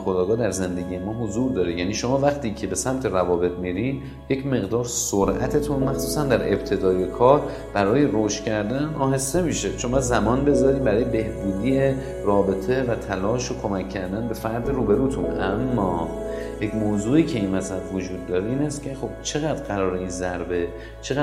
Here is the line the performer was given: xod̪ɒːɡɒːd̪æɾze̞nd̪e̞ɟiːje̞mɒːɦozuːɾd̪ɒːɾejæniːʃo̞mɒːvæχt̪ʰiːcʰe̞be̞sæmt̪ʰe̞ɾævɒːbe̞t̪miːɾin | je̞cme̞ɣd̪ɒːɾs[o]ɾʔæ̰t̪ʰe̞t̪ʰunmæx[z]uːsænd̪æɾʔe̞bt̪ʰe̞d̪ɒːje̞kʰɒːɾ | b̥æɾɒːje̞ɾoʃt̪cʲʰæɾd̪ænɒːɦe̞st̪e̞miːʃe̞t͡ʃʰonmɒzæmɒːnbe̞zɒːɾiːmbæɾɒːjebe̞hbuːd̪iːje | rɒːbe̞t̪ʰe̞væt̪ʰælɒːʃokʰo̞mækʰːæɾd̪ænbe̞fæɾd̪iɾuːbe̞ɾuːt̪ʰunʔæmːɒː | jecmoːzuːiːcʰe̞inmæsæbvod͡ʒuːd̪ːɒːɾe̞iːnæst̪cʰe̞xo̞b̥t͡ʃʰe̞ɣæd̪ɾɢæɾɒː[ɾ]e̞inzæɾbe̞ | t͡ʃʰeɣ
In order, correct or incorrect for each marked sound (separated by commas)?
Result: correct, incorrect, correct